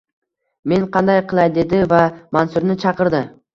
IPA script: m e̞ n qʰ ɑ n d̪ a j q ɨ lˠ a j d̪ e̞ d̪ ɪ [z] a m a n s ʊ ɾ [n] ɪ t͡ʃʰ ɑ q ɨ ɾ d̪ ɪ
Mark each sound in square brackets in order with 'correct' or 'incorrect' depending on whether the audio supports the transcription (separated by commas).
incorrect, correct